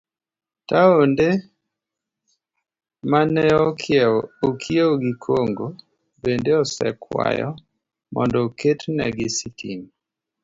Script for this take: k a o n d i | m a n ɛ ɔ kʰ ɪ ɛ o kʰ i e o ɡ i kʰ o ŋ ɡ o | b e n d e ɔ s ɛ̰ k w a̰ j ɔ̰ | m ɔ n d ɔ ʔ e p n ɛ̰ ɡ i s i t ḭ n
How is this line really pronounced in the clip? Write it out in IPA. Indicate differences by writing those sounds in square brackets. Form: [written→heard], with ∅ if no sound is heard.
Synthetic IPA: [k→t] a o n d [i→e] | m a n ɛ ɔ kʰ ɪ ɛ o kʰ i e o ɡ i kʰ o ŋ ɡ o | b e n d e ɔ s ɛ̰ k w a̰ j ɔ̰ | m ɔ n d ɔ [ʔ→k] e [p→t] n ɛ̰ ɡ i s i t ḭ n